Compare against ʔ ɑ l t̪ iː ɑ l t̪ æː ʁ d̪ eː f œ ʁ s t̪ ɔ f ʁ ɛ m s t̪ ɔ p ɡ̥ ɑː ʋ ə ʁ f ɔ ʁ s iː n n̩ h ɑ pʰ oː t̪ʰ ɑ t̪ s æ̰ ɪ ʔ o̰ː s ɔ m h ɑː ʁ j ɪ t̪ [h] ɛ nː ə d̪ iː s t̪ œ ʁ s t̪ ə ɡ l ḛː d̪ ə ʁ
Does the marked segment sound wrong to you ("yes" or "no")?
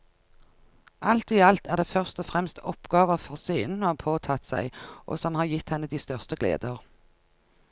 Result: no